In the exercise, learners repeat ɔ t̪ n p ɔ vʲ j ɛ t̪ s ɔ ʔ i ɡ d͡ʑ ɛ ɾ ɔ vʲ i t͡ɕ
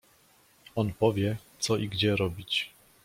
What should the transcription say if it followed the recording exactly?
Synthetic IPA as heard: ɔ n p ɔ vʲ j ɛ t̪ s ɔ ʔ i ɡ d͡ʑ ɛ ɾ ɔ bʲ i t͡ɕ